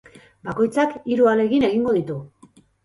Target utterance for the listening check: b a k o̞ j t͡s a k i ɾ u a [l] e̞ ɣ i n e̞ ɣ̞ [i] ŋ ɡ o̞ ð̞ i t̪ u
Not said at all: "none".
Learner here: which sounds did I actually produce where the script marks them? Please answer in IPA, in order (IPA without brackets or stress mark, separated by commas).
l, i